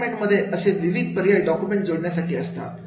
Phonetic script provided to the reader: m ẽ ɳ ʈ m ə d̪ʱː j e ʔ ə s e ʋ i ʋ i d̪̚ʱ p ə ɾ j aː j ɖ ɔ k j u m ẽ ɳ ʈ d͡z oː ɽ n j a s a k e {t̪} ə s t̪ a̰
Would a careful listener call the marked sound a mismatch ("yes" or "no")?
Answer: yes